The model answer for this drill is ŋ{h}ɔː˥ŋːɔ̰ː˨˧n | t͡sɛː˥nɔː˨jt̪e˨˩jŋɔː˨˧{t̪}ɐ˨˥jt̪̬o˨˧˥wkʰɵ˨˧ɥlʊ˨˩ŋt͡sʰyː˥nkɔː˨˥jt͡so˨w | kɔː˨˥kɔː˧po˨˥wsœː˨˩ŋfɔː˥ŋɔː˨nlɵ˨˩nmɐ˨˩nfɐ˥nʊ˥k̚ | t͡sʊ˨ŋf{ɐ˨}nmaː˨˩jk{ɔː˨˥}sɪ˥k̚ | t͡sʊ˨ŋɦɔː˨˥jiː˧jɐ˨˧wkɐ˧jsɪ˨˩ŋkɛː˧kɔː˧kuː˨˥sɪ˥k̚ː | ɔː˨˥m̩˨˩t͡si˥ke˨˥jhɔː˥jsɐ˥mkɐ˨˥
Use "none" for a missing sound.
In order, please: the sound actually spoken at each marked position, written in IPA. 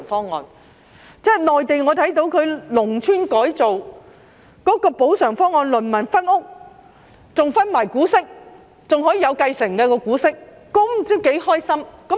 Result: f, t̪ʰ, ɐ˥, uː˨˥

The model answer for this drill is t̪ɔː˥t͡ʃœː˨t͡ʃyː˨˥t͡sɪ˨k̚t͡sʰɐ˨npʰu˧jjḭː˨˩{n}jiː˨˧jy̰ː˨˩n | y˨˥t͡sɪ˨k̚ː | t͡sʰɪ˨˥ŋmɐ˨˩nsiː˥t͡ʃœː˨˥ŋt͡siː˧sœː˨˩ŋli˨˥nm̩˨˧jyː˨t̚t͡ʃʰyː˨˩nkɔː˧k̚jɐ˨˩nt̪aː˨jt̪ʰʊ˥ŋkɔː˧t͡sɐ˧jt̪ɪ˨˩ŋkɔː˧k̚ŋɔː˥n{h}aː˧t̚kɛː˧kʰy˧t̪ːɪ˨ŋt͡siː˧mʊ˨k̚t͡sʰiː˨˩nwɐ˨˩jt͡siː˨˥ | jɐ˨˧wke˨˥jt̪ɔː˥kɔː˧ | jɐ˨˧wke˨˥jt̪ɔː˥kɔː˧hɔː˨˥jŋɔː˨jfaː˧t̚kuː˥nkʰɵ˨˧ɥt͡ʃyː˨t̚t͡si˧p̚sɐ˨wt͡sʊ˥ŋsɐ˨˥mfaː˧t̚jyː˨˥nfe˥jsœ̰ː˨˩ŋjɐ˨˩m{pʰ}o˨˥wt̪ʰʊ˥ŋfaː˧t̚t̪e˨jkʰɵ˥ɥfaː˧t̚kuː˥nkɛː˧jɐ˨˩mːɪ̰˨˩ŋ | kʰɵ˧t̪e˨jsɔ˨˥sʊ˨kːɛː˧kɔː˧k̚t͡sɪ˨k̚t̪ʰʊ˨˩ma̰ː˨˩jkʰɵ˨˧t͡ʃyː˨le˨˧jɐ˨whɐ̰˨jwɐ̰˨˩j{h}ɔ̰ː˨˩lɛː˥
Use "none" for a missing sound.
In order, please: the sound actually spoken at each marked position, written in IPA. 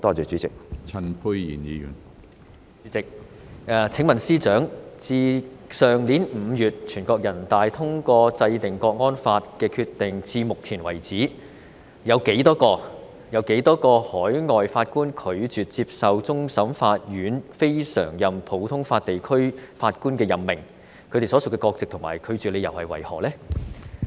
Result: n, f, pʰ, h

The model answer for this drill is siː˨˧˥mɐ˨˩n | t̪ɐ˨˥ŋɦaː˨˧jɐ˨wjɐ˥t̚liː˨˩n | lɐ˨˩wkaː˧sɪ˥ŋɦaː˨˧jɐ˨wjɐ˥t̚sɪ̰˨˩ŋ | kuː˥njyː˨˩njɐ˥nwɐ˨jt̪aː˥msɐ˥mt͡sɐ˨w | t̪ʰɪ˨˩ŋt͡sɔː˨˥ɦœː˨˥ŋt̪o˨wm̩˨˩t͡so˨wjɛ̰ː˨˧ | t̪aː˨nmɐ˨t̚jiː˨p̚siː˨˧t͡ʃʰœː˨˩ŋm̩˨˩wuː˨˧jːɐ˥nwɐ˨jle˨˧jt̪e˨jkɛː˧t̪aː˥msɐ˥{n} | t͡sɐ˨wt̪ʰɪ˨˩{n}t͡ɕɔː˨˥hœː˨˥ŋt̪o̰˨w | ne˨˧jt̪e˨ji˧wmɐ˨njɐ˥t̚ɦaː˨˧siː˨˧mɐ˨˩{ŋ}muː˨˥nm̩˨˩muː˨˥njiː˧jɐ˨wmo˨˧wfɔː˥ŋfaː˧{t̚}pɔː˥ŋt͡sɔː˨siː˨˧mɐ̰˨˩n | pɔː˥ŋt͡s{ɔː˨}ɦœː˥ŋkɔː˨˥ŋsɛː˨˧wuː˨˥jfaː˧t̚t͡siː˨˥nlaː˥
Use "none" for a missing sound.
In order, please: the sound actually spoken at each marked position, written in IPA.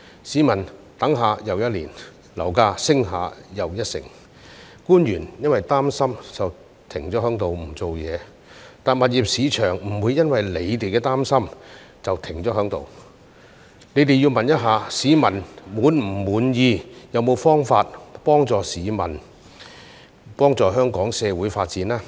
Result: m, ŋ, n, t̚, ɔː˨

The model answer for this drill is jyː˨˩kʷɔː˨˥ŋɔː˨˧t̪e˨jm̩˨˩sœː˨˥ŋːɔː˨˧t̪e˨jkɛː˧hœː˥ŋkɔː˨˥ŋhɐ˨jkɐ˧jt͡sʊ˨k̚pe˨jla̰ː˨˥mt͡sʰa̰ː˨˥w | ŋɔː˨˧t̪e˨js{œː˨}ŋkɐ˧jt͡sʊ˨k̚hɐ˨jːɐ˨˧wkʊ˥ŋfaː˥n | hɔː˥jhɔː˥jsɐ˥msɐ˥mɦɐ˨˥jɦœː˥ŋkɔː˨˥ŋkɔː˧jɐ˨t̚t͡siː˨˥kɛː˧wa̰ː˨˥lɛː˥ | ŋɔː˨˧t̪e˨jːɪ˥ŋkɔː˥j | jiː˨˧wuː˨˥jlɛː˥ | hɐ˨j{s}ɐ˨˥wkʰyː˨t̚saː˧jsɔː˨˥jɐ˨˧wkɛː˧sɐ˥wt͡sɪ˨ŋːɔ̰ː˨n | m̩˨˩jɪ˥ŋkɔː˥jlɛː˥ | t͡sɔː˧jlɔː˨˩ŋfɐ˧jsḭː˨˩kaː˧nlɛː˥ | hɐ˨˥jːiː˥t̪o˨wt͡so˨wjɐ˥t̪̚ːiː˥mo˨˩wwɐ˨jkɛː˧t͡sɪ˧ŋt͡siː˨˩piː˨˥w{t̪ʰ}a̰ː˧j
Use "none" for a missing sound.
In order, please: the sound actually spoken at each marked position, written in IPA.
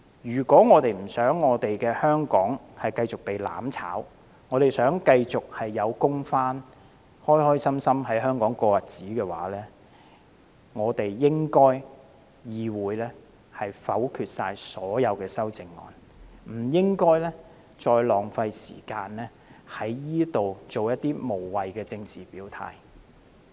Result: œː˨˥, f, t̪ʰ

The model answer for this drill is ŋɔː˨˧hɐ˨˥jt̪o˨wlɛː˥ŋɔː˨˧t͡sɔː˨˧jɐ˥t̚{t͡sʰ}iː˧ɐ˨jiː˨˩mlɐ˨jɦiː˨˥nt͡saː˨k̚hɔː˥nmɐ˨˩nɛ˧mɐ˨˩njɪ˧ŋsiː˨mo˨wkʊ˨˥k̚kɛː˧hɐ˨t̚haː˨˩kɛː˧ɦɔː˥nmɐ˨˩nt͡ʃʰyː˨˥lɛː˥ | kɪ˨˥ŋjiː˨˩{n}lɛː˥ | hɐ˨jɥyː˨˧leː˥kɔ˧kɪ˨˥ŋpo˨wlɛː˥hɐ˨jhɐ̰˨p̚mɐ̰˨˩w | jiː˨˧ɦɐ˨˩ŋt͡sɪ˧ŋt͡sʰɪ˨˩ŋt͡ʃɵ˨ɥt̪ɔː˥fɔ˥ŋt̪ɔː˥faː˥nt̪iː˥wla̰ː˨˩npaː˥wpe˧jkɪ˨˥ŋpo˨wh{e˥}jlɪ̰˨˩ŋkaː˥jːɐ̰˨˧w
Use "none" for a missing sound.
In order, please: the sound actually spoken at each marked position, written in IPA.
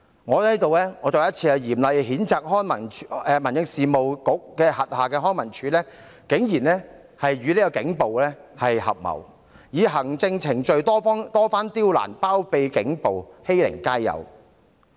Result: t͡sʰ, n, e˥

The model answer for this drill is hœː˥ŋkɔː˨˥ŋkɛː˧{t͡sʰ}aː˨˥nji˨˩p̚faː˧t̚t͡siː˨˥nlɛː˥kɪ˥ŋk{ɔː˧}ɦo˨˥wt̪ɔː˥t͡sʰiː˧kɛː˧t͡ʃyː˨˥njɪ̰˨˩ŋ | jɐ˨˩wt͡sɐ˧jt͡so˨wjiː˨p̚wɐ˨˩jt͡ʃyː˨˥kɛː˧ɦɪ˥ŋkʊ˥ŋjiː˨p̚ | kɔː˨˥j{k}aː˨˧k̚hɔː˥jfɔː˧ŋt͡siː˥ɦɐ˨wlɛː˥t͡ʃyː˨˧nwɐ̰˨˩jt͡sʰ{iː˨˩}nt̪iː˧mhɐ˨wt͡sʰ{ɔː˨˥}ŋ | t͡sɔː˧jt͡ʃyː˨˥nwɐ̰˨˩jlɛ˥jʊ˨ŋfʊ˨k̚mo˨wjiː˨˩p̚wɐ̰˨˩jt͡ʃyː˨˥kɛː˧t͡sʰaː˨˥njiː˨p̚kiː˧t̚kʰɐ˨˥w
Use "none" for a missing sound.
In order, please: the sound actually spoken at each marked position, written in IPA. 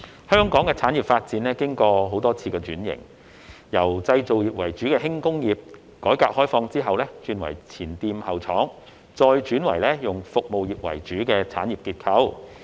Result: t͡sʰ, ɔː˧, k, iː˨˩, ɔː˨˥

